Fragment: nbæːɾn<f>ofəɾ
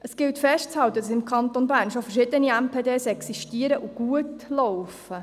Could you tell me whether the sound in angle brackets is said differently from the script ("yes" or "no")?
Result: yes